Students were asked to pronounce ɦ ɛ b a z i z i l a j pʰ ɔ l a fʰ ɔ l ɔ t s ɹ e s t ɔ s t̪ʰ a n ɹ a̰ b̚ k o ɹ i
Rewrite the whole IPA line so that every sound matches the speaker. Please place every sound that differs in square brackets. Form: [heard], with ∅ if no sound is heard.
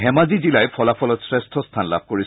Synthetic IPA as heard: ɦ ɛ [m] a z i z i l a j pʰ ɔ l a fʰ ɔ l ɔ t s ɹ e s [tʰ] ɔ s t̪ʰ a n [l] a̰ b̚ k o ɹ i